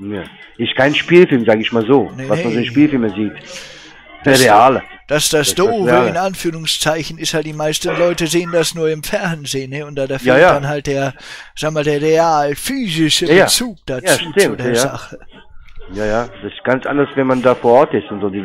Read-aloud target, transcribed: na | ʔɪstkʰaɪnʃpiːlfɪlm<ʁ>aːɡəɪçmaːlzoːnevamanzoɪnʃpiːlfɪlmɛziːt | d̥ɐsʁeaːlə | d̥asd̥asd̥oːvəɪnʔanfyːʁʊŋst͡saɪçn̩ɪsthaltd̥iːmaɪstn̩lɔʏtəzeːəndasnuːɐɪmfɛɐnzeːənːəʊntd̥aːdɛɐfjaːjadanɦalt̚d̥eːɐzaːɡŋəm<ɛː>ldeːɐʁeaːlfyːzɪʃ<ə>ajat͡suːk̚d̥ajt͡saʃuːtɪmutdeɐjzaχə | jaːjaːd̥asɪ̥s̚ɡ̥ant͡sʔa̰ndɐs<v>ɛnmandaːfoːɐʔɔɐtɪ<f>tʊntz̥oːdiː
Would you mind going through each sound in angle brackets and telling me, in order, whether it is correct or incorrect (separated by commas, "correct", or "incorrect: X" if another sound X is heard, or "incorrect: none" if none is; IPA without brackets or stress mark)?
incorrect: z, incorrect: aː, correct, correct, incorrect: s